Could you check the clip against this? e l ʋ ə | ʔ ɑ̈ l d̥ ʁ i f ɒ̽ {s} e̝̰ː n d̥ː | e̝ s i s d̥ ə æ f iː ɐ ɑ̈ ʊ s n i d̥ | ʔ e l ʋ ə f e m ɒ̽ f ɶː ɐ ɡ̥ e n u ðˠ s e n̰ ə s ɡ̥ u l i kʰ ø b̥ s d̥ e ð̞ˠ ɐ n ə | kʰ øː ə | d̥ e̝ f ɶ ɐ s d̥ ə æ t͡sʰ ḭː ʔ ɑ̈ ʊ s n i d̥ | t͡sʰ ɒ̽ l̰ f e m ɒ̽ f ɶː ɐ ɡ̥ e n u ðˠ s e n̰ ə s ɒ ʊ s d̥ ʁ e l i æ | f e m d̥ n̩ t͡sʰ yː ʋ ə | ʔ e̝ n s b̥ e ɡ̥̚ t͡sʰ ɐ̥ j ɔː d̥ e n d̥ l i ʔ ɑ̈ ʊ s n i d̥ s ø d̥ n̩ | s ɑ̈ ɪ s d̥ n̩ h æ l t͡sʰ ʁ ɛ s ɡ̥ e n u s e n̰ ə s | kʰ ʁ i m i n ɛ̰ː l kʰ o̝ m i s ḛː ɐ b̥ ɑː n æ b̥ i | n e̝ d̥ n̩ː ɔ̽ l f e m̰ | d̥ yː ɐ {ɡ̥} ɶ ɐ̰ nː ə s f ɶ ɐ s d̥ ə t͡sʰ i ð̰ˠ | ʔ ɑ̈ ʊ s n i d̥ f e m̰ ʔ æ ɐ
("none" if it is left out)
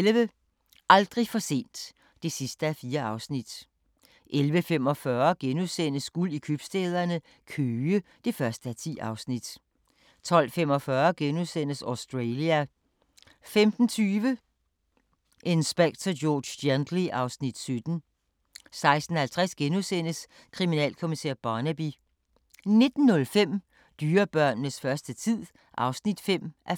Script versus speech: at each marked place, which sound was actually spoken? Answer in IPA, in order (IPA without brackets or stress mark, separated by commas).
s, b̥